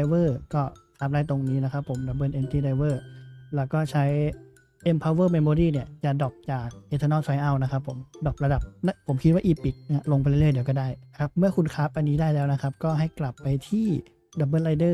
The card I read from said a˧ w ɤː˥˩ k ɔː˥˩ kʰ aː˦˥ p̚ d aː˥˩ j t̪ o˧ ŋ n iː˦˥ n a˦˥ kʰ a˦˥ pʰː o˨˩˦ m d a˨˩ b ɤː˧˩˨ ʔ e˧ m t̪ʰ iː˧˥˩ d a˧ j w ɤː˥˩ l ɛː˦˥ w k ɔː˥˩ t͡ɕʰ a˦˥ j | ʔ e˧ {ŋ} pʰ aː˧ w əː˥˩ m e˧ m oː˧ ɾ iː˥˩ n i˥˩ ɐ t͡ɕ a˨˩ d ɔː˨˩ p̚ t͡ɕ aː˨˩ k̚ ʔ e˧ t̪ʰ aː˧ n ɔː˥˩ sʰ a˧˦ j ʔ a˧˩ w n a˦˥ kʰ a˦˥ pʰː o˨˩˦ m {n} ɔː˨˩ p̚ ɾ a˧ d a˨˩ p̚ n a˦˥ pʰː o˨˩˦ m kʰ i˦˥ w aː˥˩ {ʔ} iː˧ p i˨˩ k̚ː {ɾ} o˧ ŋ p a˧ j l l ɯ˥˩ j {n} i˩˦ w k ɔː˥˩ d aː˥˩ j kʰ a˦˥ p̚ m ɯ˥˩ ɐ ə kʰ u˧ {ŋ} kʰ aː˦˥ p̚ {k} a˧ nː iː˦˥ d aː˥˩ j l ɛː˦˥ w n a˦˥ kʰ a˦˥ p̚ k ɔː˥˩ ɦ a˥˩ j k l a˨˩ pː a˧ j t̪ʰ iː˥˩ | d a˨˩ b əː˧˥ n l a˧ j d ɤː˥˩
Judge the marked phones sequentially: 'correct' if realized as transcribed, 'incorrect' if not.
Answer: incorrect: m, incorrect: d, correct, incorrect: l, incorrect: d, incorrect: n, incorrect: ʔ

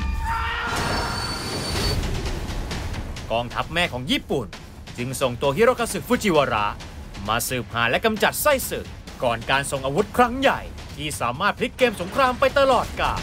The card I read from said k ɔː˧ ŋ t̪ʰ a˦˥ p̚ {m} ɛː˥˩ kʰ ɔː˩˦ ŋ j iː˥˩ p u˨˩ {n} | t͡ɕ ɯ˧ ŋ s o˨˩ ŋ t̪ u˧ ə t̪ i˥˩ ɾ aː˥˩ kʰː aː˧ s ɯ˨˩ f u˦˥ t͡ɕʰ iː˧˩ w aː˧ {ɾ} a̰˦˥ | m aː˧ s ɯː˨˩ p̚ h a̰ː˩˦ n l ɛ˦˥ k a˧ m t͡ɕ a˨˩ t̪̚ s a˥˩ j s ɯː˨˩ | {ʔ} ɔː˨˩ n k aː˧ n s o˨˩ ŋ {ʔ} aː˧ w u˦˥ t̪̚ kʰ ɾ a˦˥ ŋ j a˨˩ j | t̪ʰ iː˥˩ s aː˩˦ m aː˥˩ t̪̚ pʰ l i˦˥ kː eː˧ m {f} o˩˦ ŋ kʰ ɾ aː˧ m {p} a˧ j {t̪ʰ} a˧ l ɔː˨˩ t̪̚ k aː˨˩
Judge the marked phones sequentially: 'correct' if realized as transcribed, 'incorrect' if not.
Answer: correct, correct, correct, incorrect: k, correct, incorrect: s, correct, incorrect: t̪

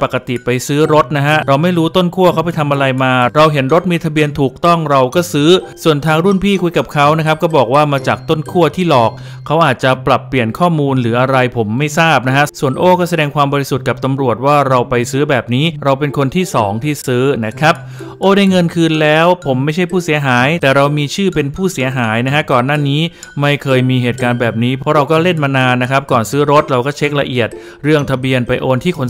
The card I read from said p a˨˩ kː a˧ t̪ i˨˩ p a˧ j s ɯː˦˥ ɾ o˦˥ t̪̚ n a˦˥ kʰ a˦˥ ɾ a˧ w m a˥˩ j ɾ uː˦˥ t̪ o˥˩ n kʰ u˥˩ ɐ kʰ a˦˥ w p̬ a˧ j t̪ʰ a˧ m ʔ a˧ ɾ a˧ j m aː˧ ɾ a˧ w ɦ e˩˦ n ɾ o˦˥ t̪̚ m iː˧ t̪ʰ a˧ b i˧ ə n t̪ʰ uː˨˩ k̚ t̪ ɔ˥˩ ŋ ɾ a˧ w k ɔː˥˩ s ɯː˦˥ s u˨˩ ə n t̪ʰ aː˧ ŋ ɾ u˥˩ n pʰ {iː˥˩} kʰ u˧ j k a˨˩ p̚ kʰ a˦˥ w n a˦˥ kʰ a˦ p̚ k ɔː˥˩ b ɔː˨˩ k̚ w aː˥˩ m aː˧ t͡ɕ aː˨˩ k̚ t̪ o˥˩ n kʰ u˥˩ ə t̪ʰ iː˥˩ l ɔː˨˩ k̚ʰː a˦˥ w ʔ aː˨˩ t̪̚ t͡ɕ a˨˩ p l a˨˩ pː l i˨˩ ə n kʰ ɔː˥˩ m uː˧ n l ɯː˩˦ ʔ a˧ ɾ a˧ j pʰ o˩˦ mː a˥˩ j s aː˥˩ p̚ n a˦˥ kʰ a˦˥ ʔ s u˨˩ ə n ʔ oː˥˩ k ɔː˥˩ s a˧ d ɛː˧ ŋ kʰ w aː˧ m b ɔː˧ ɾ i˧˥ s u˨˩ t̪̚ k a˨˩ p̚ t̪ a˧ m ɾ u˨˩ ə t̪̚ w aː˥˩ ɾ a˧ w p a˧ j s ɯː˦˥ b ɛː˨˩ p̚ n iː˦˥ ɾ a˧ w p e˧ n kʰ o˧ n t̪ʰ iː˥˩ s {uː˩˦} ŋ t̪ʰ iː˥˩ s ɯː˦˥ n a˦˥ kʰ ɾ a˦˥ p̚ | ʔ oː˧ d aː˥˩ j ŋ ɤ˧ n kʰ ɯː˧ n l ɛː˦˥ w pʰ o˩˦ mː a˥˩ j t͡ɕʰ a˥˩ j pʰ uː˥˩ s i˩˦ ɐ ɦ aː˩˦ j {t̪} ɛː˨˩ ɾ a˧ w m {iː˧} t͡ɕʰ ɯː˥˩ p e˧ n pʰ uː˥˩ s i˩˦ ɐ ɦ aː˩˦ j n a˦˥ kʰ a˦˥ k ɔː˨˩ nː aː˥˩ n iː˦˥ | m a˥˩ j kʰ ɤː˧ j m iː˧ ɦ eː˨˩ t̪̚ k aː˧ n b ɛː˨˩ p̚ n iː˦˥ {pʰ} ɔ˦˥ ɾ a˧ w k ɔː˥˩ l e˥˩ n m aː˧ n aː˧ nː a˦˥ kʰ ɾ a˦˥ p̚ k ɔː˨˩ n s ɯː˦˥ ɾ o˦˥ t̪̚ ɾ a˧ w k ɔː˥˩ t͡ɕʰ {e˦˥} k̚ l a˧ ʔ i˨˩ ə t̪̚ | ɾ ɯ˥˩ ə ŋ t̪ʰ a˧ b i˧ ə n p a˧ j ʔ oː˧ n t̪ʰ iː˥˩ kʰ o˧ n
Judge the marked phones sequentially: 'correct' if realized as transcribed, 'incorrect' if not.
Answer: correct, incorrect: ɔː˩˦, correct, correct, correct, correct

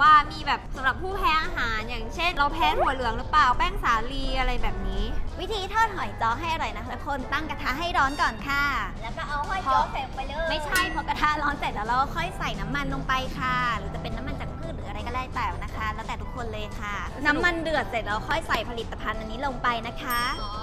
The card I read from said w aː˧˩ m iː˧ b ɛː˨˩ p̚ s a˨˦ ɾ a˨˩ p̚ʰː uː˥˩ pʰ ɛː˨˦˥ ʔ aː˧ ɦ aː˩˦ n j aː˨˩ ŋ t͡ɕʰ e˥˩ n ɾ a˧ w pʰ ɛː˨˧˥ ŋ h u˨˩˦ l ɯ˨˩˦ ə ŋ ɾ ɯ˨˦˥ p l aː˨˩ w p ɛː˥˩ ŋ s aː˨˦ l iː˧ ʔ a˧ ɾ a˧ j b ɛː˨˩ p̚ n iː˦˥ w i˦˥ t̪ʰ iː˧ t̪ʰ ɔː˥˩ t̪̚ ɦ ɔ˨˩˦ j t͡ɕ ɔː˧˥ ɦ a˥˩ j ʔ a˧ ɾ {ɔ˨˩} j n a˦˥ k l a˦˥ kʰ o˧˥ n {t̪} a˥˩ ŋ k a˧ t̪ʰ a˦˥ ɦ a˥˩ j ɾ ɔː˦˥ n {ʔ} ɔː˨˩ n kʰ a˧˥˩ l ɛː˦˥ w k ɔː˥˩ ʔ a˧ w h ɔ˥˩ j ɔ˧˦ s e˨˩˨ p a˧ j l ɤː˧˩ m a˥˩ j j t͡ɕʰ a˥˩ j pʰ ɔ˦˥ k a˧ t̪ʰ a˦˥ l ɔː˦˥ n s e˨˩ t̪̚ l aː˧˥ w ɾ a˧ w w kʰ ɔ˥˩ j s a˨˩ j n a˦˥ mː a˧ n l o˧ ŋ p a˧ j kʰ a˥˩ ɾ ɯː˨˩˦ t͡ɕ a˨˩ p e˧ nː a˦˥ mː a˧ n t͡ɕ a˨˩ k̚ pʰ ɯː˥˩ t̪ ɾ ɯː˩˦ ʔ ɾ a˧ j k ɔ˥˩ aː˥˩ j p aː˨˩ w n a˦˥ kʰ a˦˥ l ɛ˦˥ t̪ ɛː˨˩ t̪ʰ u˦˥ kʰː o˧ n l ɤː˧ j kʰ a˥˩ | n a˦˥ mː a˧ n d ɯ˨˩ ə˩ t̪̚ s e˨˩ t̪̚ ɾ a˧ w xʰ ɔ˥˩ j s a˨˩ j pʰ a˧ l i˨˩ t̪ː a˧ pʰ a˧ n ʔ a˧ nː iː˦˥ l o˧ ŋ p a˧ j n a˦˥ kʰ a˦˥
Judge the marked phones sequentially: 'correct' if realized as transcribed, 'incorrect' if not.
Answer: correct, correct, incorrect: k

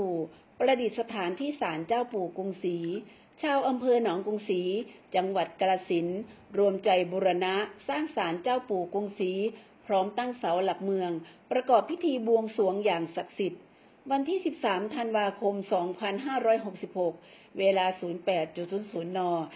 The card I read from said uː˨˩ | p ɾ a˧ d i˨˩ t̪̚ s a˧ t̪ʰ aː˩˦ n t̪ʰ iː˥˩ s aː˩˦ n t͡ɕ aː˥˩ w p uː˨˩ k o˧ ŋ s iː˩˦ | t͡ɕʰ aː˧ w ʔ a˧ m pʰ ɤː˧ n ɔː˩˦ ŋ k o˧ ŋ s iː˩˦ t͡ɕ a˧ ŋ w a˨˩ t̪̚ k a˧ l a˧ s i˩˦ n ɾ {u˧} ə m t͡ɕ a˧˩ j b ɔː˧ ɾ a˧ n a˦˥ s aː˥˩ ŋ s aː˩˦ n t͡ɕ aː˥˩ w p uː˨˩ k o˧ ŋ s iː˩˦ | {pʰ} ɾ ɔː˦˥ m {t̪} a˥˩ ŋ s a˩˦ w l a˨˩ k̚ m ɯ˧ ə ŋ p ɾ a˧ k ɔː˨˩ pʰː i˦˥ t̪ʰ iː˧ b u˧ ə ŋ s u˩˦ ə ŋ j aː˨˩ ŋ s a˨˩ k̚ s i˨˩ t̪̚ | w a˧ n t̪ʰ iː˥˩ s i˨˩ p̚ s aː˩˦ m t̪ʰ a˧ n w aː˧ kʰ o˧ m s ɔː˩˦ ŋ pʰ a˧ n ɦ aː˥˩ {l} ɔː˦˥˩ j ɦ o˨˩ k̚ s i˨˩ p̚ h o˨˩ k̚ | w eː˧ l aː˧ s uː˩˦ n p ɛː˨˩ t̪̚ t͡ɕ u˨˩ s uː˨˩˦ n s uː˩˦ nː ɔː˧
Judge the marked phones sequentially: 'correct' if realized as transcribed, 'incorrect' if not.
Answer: correct, correct, correct, incorrect: ɾ

